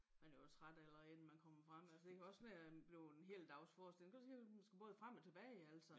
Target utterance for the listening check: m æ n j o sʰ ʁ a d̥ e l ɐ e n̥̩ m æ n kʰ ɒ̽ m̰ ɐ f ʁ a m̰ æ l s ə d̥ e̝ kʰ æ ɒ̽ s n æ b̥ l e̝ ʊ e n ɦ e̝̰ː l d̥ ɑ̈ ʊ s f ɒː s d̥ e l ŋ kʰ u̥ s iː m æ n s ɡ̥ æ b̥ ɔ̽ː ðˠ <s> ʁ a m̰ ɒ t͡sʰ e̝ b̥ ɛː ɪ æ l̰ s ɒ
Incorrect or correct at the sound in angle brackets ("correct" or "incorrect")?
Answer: incorrect